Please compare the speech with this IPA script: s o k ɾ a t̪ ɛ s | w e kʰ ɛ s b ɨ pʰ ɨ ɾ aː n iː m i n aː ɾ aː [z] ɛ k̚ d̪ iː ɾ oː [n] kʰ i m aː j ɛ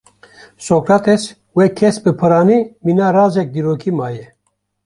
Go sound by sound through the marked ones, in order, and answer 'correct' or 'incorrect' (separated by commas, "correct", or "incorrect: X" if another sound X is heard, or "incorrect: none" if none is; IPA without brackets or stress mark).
correct, incorrect: none